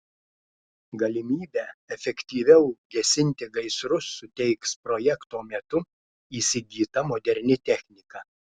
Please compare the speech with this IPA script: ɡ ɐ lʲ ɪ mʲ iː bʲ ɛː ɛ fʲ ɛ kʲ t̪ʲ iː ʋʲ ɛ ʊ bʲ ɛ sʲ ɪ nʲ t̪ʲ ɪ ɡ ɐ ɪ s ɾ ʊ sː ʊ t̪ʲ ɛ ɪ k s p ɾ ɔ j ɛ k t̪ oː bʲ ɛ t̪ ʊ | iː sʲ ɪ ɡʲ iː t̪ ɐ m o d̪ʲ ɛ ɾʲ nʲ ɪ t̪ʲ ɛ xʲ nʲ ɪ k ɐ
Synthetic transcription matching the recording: ɡ ɐ lʲ ɪ mʲ iː bʲ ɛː ɛ fʲ ɛ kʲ t̪ʲ iː ʋʲ ɛ ʊ ɡʲ ɛ sʲ ɪ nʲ t̪ʲ ɪ ɡ ɐ ɪ s ɾ ʊ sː ʊ t̪ʲ ɛ ɪ k s p ɾ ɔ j ɛ k t̪ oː mʲ ɛ t̪ ʊ | iː sʲ ɪ ɡʲ iː t̪ ɐ m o d̪ʲ ɛ ɾʲ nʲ ɪ t̪ʲ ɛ xʲ nʲ ɪ k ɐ